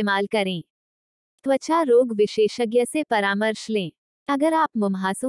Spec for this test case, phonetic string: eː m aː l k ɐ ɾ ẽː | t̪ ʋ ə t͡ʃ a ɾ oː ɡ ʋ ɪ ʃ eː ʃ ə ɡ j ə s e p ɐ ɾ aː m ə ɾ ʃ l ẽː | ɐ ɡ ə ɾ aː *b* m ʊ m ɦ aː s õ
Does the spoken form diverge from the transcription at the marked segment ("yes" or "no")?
yes